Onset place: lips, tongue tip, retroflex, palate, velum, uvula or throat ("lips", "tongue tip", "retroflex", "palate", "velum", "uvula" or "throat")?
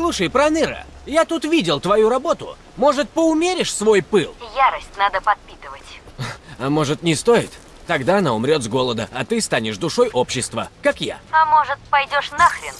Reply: tongue tip